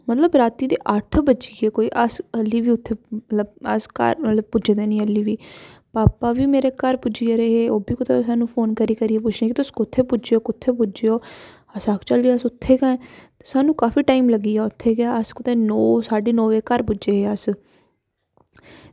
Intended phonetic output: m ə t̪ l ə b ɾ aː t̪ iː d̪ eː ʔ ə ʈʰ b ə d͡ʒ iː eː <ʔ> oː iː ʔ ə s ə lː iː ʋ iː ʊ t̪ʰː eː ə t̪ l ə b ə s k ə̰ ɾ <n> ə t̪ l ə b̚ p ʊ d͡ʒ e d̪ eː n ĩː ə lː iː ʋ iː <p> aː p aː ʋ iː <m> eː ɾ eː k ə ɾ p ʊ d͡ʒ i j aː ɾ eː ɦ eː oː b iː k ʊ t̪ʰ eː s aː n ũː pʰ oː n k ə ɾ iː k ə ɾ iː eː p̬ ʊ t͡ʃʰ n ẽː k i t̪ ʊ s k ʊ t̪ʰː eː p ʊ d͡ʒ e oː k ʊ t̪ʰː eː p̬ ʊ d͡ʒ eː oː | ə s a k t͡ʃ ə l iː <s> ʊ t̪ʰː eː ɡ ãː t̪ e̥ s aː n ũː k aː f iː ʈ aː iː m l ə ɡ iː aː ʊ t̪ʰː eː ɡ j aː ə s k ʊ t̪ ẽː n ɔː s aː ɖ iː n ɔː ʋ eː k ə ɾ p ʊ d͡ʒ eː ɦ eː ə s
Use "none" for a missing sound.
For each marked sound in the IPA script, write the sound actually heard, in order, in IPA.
k, m, p, m, s

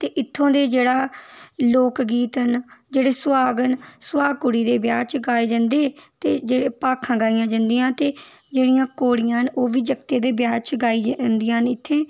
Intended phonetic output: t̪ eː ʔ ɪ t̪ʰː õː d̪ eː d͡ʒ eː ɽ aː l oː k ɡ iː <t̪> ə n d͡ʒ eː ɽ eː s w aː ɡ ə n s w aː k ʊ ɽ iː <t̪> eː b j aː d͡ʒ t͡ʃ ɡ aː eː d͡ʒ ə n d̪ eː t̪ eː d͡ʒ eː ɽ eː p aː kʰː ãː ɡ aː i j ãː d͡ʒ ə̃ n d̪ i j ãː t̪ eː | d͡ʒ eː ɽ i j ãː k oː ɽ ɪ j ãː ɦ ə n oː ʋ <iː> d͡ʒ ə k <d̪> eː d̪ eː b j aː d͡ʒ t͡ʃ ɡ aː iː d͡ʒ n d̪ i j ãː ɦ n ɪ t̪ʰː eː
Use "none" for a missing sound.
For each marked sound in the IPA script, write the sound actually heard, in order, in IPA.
t̪, d̪, iː, t̪

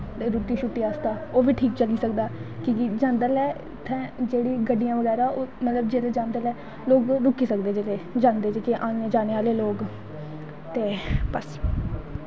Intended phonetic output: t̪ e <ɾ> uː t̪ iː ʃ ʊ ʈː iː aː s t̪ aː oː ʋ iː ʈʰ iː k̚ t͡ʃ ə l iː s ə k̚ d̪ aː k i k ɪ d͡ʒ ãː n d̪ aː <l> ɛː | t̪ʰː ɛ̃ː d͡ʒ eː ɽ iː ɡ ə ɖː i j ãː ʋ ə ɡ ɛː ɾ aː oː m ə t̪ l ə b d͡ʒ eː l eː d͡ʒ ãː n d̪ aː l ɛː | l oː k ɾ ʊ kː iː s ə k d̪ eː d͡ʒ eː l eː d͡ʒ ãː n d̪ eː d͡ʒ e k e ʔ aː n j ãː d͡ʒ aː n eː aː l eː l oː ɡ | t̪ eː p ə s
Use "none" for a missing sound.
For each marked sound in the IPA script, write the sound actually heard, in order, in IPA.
ɾ, l

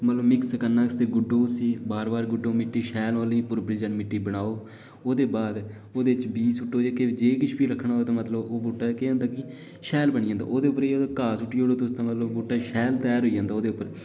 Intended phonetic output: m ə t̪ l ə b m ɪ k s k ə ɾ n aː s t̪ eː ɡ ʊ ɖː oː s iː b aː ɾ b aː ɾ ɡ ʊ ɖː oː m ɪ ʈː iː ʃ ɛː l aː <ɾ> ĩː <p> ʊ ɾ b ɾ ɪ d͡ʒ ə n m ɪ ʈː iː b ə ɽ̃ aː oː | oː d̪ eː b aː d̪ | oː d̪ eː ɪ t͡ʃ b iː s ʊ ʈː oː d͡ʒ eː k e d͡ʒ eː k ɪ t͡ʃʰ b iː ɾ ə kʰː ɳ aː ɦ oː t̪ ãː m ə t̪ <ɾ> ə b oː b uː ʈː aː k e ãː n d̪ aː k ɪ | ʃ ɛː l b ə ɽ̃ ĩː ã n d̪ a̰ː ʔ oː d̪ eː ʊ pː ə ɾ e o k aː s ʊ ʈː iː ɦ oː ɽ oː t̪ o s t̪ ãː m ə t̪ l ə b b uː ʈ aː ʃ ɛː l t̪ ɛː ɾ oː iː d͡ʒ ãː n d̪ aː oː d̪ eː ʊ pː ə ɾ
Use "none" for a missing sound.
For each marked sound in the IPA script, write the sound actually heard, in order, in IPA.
l, p, l

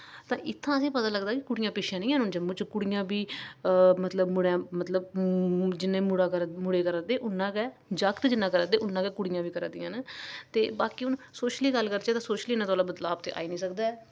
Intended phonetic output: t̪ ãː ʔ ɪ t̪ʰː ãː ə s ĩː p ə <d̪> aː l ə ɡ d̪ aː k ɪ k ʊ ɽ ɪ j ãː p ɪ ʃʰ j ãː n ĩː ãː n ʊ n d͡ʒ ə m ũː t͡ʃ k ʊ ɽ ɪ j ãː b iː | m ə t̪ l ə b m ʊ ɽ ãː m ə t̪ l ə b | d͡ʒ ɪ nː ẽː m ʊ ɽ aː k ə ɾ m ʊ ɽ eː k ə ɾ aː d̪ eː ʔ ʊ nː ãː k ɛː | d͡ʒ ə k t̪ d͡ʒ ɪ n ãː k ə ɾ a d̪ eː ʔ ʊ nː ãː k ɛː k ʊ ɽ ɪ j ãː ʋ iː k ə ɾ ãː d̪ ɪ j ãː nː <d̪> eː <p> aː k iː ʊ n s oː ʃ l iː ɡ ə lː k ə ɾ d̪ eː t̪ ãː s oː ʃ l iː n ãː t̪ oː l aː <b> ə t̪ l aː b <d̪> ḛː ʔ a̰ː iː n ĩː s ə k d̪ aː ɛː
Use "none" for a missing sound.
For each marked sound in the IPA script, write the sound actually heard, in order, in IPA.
t̪, t̪, b, b, t̪

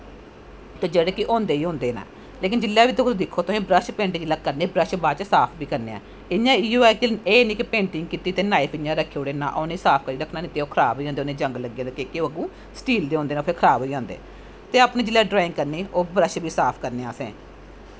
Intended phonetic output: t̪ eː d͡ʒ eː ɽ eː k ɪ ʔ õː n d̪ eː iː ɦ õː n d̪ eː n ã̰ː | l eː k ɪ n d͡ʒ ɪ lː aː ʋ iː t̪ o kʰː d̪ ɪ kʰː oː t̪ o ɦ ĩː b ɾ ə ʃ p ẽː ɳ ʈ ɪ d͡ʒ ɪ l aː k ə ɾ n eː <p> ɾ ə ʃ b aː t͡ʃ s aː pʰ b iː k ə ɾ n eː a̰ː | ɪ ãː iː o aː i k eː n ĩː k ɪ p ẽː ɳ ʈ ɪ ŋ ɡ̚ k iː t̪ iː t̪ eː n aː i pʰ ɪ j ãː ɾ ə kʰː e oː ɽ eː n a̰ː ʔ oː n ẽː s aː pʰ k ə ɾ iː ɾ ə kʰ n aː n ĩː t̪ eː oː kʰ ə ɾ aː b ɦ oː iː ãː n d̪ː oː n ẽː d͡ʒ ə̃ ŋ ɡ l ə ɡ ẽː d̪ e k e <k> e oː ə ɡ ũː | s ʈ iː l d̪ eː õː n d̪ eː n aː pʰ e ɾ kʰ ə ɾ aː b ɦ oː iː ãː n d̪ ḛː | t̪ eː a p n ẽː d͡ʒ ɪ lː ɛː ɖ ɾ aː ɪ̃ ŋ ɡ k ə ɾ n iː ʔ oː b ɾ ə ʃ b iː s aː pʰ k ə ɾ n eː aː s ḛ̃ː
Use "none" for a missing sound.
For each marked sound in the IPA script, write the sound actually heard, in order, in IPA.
b, k

